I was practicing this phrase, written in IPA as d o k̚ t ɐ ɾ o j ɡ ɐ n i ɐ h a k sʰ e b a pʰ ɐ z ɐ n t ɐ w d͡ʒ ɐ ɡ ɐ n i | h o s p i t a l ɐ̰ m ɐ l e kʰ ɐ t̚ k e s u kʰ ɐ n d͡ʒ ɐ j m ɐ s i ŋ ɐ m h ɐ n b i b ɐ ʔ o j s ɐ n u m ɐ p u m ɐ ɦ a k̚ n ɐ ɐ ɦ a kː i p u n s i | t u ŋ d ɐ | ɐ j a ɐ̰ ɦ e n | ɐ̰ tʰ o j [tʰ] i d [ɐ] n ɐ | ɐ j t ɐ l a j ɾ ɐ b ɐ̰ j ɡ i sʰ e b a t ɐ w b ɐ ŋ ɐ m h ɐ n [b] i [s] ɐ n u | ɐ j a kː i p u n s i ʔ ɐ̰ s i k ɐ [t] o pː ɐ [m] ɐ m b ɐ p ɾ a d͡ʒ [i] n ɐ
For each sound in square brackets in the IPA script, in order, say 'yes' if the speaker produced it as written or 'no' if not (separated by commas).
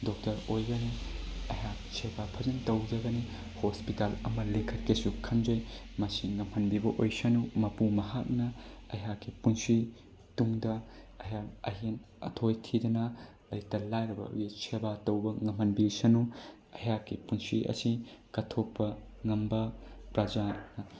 yes, yes, yes, yes, no, no, no